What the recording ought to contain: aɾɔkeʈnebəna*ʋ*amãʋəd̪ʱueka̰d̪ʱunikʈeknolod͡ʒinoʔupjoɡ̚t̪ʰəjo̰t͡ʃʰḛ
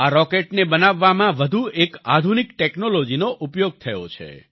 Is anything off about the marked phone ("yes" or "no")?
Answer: yes